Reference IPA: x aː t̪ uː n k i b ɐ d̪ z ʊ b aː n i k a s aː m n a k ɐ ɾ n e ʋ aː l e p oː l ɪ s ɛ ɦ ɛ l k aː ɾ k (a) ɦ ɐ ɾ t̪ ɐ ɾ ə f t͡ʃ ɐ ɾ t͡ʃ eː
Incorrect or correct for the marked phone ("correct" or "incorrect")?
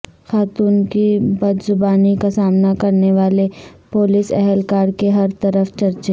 incorrect